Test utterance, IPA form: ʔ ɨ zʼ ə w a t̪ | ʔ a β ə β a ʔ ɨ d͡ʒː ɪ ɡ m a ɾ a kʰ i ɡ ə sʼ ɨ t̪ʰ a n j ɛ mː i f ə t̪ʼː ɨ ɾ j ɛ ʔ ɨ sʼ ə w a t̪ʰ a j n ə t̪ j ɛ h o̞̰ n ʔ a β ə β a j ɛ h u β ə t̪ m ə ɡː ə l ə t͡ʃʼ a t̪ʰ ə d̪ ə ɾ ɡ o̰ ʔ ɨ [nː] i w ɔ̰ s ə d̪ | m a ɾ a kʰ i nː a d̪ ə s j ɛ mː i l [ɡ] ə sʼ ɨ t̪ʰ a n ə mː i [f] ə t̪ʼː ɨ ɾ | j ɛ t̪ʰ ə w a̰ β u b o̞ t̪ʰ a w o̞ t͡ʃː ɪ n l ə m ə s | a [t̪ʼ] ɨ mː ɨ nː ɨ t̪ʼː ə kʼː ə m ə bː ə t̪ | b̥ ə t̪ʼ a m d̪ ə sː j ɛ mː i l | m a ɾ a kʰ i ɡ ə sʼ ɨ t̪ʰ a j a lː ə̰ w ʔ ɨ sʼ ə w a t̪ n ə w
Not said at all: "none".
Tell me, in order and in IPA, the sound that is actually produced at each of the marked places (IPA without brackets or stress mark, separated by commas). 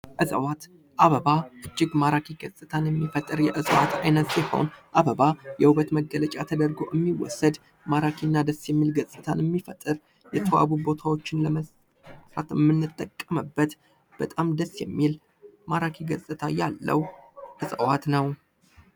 mː, ɡ, f, t̪